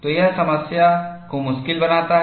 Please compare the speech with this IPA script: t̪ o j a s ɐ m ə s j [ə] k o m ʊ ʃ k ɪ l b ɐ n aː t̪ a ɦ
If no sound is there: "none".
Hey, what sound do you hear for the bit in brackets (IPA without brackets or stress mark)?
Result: a